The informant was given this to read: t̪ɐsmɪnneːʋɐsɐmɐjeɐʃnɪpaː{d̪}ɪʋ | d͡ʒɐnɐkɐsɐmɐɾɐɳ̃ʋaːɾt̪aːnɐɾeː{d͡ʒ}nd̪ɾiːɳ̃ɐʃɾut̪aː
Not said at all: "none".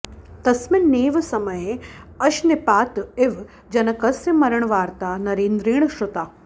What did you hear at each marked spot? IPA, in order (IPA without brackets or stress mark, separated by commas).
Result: t̪, none